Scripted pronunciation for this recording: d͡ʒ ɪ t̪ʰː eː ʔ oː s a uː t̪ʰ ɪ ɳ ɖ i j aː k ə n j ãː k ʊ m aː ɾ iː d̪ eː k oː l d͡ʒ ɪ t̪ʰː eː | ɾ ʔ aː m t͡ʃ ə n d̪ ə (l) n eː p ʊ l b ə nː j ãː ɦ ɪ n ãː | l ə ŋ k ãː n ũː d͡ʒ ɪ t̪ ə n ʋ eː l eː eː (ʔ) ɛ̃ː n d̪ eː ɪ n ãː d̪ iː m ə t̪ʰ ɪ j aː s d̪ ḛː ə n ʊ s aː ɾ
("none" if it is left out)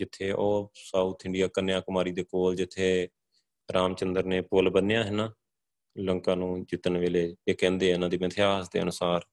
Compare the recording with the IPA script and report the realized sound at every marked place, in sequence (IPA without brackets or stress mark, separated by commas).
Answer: ɾ, k